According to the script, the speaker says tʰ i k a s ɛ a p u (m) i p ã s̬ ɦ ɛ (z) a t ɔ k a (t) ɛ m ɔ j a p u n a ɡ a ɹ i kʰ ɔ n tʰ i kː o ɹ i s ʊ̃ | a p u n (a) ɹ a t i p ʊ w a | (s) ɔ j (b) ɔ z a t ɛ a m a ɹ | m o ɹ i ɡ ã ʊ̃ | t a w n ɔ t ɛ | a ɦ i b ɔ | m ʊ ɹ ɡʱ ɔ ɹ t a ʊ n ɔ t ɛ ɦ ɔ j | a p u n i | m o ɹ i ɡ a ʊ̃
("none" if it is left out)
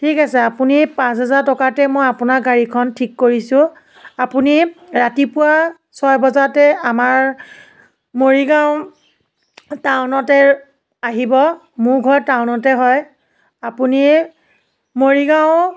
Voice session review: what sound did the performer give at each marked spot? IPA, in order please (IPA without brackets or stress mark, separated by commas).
n, z, t, i, s, b